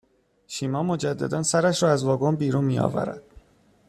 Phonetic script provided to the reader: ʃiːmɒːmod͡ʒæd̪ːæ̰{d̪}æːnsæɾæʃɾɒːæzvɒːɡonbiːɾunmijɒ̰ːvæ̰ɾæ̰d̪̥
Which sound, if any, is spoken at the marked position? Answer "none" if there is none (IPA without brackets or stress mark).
d̪